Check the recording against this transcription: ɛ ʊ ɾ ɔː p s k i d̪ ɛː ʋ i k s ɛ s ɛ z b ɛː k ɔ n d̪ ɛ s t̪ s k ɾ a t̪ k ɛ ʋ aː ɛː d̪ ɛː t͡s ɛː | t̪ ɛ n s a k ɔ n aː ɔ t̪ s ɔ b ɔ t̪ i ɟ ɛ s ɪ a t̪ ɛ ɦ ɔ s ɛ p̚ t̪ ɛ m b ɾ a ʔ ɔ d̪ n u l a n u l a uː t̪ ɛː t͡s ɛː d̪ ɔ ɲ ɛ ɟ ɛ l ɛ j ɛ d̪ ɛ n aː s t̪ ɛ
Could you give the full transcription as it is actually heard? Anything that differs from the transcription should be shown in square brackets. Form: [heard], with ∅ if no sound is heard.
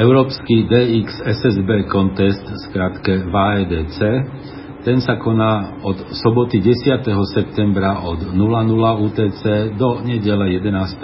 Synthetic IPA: ɛ ʊ ɾ ɔː p s k i d̪ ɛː [∅] i k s ɛ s ɛ z b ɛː k ɔ n [t̪] ɛ s t̪ s k ɾ a t̪ k ɛ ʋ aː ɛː d̪ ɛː t͡s ɛː | t̪ ɛ n s a k ɔ n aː ɔ t̪ s ɔ b ɔ t̪ i ɟ ɛ s ɪ a t̪ ɛ ɦ ɔ s ɛ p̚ t̪ ɛ m b ɾ a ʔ ɔ d̪ n u l a n u l a uː t̪ ɛː t͡s ɛː d̪ ɔ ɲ ɛ ɟ ɛ l ɛ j ɛ d̪ ɛ n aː s t̪ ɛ